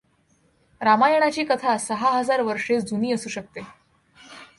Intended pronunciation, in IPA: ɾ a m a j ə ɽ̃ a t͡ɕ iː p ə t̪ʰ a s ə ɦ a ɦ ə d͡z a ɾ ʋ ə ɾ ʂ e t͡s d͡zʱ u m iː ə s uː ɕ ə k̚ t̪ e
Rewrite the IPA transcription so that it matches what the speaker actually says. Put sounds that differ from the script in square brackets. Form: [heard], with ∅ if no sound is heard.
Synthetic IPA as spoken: ɾ a m a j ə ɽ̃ a t͡ɕ iː [k] ə t̪ʰ a s ə ɦ a ɦ ə d͡z a ɾ ʋ ə ɾ ʂ e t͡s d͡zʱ u [n] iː ə s uː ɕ ə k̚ t̪ e